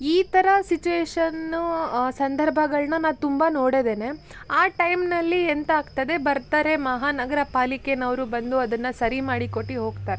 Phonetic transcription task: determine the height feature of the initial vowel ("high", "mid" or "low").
high